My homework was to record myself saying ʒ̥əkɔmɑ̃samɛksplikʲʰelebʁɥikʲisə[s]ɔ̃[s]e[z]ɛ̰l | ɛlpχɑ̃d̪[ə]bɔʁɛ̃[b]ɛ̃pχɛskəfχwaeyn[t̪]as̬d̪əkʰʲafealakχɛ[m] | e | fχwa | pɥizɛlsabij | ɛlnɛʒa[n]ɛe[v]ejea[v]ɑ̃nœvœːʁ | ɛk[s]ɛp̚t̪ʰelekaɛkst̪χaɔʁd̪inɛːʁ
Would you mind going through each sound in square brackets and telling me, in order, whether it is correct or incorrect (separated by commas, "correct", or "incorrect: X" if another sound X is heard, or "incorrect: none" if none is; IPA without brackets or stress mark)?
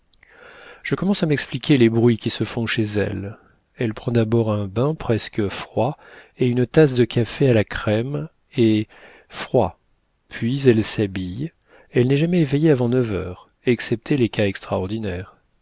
incorrect: f, incorrect: ʃ, correct, incorrect: a, correct, correct, correct, incorrect: m, correct, correct, correct